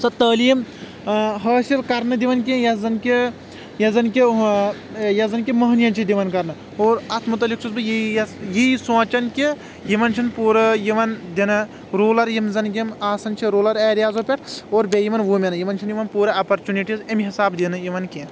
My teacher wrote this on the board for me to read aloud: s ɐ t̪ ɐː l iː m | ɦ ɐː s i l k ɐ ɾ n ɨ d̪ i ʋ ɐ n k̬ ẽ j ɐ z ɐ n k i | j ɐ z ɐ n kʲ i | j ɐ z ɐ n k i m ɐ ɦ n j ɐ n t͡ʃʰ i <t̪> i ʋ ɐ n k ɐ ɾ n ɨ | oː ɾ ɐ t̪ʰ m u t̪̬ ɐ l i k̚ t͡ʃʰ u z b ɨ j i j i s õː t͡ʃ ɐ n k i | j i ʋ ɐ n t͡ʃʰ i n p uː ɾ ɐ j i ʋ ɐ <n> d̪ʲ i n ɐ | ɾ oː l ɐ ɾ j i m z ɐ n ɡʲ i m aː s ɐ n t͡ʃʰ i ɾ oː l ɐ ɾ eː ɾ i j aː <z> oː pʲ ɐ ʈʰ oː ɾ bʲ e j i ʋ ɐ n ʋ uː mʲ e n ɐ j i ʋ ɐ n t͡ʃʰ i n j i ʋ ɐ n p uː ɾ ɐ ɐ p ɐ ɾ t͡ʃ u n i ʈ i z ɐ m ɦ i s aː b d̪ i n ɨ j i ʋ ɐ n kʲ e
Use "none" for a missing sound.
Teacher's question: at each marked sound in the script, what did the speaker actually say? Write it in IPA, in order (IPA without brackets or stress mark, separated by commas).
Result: d̪, n, z